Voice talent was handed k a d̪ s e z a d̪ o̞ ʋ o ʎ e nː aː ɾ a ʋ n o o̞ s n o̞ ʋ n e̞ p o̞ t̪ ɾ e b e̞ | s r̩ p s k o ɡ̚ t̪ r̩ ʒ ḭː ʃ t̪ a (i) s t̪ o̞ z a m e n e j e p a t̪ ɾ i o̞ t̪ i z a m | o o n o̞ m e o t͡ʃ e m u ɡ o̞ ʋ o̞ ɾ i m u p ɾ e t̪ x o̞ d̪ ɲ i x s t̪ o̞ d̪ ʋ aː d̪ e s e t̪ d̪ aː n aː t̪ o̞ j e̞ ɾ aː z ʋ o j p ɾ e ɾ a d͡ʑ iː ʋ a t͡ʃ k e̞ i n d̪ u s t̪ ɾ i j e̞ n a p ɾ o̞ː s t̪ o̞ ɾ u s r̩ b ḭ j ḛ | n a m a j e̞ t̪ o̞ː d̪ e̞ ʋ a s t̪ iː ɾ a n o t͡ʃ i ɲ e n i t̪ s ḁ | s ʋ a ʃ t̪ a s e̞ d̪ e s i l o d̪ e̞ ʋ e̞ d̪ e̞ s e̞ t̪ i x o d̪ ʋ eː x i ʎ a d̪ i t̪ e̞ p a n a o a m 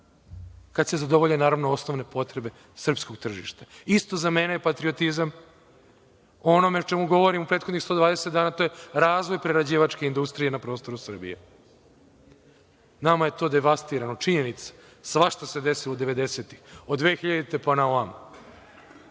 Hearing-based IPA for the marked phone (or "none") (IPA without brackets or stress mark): i